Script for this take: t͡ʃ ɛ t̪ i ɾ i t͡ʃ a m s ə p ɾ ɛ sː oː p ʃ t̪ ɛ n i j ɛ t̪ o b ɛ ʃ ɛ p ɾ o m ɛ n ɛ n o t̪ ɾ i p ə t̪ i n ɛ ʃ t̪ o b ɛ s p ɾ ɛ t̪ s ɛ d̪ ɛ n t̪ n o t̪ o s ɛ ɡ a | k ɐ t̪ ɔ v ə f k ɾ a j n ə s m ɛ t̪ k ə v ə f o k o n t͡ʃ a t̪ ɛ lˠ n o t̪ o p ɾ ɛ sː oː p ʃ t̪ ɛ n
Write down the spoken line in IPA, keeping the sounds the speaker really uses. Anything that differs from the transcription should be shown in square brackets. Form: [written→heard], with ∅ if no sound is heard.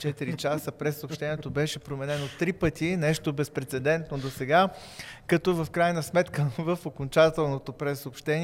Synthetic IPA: t͡ʃ ɛ t̪ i ɾ i t͡ʃ a [m→∅] s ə p ɾ ɛ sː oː p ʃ t̪ ɛ n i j ɛ t̪ o b ɛ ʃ ɛ p ɾ o m ɛ n ɛ n o t̪ ɾ i p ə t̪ i n ɛ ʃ t̪ o b ɛ s p ɾ ɛ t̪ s ɛ d̪ ɛ n t̪ n o [t̪→d̪] o s ɛ ɡ a | k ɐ t̪ ɔ v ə f k ɾ a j n ə s m ɛ t̪ k ə v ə f o k o n t͡ʃ a t̪ ɛ lˠ n o t̪ o p ɾ ɛ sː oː p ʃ t̪ ɛ n